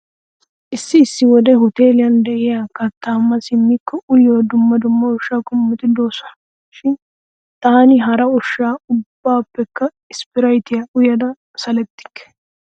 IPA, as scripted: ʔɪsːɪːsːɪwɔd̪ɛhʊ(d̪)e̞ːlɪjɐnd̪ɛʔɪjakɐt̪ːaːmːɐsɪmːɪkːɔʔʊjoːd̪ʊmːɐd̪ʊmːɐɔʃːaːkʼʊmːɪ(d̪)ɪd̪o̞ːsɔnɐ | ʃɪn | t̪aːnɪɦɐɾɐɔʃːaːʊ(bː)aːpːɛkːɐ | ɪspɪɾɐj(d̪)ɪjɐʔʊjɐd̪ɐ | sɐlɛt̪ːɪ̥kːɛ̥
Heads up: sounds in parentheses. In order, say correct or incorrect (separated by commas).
incorrect, incorrect, correct, incorrect